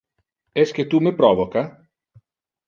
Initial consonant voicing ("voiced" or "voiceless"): voiceless